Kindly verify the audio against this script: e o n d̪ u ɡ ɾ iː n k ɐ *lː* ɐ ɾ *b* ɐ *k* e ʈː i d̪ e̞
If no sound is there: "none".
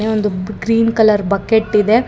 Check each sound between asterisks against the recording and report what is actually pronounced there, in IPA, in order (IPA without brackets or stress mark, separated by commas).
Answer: l, b, k